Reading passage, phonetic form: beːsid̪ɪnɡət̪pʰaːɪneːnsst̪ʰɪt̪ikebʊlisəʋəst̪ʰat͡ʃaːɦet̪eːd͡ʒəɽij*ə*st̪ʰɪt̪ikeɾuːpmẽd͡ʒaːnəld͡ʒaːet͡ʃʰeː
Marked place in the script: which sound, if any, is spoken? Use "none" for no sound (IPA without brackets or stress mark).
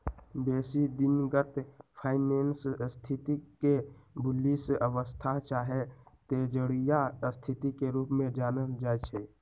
a